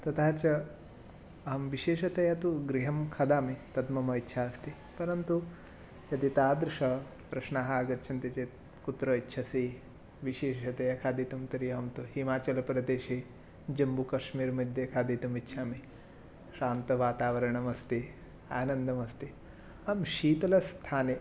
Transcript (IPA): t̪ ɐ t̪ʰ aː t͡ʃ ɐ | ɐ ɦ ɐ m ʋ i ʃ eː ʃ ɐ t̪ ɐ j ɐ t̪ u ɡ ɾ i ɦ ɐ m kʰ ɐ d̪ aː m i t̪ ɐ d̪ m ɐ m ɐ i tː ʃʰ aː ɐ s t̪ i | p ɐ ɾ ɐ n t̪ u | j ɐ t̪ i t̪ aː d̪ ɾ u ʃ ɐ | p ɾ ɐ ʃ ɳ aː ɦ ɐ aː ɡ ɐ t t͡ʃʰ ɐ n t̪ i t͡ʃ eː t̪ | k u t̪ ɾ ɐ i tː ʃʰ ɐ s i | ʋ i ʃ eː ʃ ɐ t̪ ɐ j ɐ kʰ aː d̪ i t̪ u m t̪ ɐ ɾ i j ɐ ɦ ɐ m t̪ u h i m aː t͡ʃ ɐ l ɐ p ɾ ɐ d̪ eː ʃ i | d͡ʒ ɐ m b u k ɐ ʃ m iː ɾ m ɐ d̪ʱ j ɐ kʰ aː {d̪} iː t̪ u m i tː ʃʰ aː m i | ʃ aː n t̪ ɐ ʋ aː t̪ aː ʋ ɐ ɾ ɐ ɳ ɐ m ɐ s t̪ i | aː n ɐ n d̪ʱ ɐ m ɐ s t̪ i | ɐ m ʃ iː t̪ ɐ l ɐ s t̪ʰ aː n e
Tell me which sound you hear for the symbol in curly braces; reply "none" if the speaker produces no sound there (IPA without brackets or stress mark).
d̪